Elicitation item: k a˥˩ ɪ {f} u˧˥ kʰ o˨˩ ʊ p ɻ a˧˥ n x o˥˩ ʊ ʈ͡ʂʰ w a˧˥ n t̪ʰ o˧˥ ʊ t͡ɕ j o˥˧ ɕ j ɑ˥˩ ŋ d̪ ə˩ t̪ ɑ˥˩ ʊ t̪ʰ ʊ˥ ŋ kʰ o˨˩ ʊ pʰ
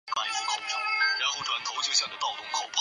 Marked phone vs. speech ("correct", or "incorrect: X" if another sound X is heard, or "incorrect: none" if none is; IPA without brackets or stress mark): correct